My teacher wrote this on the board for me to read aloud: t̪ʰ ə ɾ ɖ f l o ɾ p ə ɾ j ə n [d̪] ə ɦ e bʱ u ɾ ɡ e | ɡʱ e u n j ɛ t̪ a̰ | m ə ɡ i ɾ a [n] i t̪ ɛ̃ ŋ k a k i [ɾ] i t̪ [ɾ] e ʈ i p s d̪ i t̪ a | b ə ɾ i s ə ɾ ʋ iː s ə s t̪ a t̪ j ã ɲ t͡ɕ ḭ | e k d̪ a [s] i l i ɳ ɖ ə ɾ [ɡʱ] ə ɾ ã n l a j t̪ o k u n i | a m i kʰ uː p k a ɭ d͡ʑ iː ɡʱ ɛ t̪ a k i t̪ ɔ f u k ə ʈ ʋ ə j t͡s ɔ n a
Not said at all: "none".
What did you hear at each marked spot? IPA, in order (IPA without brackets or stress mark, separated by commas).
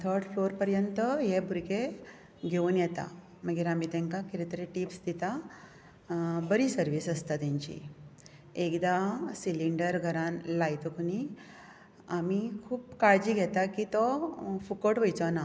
t̪, m, ɾ, ɾ, s, ɡʱ